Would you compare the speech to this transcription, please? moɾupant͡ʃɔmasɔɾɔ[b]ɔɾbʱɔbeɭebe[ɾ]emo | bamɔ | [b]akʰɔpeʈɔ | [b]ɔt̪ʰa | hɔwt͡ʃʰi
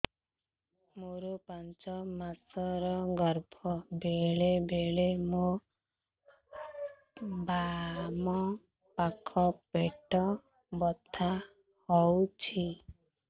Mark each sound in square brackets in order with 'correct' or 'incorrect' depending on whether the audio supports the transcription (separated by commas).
incorrect, incorrect, incorrect, correct